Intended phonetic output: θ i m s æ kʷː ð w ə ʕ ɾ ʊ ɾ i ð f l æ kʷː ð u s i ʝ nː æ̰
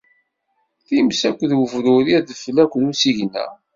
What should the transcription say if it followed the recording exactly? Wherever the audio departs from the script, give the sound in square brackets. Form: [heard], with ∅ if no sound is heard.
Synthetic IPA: θ i m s æ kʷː ð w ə [v] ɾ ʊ ɾ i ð f l æ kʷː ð u s i ʝ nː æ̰